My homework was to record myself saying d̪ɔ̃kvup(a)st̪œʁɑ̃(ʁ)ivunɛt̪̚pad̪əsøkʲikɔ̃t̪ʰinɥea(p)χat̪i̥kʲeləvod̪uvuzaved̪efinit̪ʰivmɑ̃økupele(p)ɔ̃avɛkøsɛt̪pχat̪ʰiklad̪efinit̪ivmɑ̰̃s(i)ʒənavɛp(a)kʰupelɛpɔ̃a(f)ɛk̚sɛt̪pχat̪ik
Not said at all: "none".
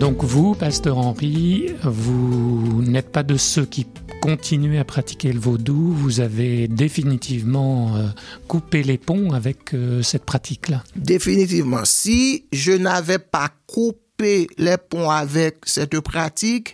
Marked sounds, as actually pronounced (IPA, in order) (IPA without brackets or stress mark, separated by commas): a, ʁ, p, p, i, a, v